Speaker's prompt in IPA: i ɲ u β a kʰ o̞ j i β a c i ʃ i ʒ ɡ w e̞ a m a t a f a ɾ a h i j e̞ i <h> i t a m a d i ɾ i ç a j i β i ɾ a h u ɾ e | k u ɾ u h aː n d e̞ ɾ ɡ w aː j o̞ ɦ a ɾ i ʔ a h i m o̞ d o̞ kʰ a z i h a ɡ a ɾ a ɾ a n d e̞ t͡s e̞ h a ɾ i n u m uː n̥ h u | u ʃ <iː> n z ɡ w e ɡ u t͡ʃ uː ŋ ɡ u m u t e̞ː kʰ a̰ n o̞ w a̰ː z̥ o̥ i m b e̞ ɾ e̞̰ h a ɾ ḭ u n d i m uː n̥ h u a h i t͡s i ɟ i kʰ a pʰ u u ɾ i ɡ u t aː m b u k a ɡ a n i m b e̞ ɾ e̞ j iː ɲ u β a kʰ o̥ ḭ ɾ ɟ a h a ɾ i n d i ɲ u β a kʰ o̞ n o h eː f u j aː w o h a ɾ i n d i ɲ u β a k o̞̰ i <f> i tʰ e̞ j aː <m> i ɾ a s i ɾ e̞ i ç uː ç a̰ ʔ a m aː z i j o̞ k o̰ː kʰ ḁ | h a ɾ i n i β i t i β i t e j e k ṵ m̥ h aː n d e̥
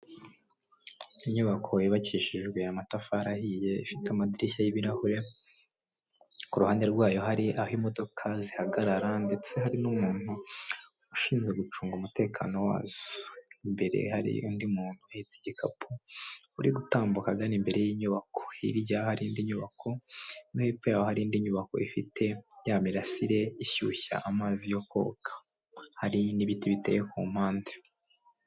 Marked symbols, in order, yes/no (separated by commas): no, yes, yes, yes